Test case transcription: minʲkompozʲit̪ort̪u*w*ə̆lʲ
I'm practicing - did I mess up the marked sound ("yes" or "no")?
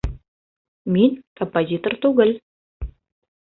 yes